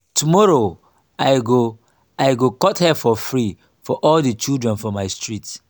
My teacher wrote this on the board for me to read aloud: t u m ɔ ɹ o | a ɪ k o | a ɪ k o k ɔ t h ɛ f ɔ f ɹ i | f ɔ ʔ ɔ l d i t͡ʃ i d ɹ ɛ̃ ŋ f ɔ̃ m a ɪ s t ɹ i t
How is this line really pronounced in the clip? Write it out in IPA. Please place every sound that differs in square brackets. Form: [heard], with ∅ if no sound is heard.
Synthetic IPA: t u m ɔ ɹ o | a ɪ [ɡ] o | a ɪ [ɡ] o k ɔ t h ɛ f ɔ f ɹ i | f ɔ ʔ ɔ l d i t͡ʃ i d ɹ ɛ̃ [n] f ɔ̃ m a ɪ s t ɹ i t